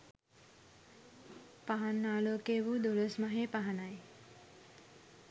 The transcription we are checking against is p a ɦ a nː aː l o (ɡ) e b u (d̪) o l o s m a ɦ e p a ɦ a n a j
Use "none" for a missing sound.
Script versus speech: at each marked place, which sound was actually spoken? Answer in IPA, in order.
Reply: k, d̪

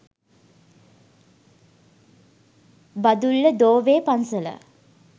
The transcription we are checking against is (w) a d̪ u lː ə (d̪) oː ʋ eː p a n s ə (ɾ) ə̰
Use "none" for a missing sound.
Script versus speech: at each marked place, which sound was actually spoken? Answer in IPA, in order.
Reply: b, d̪, l

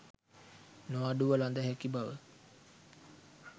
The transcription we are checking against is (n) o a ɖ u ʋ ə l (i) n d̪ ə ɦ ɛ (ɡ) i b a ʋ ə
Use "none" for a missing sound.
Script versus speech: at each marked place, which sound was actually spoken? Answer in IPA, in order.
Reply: n, a, k

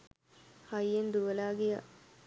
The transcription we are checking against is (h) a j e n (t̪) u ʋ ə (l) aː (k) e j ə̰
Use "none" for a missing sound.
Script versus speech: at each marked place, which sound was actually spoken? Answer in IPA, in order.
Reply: h, d̪, l, ɡ

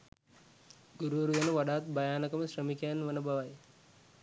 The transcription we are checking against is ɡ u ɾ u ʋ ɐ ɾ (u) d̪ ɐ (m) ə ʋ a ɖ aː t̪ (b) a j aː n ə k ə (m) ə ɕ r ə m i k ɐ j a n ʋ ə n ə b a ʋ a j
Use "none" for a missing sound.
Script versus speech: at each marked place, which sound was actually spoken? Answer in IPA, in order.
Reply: u, n, b, m

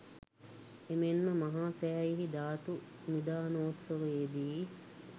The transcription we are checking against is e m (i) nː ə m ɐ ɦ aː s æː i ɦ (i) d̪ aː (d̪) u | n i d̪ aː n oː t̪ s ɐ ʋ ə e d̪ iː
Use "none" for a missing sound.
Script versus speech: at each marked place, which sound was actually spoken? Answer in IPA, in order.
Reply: e, i, t̪

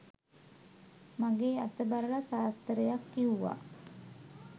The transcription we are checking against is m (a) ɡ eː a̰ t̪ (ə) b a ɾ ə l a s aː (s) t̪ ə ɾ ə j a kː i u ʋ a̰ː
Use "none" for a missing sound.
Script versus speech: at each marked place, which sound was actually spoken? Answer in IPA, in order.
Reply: a, ə, s

